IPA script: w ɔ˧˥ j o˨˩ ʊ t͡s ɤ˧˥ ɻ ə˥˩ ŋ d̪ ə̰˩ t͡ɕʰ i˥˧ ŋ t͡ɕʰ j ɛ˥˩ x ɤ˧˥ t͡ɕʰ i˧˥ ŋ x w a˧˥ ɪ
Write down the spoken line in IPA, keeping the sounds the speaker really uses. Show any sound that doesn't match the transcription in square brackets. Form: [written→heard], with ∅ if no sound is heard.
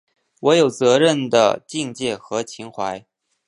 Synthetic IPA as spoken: w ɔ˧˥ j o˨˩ ʊ t͡s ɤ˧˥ ɻ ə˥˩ [ŋ→n] d̪ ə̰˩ [t͡ɕʰ→t͡ɕ] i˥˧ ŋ [t͡ɕʰ→t͡ɕ] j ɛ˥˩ x ɤ˧˥ t͡ɕʰ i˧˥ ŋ x w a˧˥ ɪ